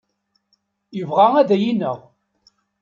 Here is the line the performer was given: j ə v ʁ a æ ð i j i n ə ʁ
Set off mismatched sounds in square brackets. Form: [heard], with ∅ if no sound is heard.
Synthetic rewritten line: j ə v ʁ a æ ð [æ] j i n ə ʁ